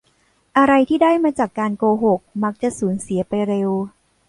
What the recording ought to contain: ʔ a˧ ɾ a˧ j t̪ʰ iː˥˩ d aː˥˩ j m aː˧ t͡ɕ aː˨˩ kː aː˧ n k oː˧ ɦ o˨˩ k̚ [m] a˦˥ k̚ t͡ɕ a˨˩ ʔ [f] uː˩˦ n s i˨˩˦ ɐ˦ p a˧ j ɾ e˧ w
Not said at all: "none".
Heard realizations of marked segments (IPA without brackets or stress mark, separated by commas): m, s